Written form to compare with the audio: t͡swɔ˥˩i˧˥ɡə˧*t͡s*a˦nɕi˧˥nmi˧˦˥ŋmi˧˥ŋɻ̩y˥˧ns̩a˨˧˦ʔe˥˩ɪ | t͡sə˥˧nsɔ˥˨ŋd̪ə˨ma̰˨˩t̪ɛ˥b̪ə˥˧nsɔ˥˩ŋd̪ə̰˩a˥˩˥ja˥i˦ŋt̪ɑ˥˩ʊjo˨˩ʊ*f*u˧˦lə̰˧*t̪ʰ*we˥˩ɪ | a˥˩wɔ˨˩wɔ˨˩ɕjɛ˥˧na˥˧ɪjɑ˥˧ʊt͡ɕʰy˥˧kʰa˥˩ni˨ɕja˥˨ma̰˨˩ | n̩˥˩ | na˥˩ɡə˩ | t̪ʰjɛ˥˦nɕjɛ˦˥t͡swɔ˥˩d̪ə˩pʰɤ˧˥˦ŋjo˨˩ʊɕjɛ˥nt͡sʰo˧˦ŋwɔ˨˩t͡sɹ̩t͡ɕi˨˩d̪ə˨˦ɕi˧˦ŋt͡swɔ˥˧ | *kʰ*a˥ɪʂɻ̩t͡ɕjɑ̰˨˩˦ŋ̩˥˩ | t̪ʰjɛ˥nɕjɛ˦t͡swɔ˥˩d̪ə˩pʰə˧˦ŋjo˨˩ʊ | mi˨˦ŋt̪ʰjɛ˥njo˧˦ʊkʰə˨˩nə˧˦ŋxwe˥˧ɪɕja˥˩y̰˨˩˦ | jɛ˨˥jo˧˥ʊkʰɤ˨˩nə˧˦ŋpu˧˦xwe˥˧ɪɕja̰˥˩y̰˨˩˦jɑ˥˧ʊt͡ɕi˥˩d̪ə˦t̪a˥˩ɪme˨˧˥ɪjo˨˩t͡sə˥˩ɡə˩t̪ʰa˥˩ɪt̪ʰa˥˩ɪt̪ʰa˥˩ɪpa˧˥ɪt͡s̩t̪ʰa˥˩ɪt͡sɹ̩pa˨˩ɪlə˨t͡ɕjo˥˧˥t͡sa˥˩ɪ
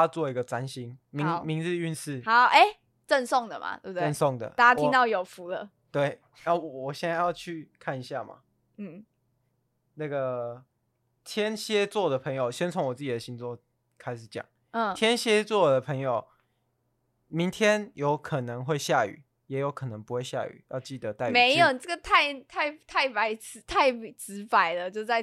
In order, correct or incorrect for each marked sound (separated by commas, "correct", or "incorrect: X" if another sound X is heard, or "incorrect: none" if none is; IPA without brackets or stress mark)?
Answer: correct, correct, incorrect: t̪, correct